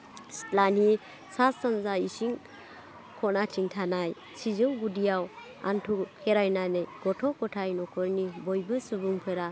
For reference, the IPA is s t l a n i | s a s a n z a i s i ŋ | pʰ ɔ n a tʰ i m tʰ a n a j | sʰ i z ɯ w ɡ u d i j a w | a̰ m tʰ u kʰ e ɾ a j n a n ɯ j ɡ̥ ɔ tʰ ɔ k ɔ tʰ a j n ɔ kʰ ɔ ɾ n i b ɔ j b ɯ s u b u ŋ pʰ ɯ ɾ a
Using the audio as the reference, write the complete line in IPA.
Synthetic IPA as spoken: s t l a n i | s a s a n z a i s i ŋ | kʰ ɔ n a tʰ i ŋ tʰ a n a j | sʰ i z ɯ w ɡ u d i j a w | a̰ n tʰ u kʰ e ɾ a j n a n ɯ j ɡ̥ ɔ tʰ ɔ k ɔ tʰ a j n ɔ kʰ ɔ ɾ n i b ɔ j b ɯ s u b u ŋ pʰ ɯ ɾ a